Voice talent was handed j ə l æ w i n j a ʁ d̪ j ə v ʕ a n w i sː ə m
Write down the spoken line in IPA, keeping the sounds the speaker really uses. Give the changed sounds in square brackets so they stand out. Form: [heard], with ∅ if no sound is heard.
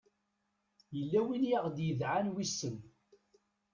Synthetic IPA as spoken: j ə [lː] æ w i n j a ʁ d̪ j ə [ð] ʕ a n w i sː ə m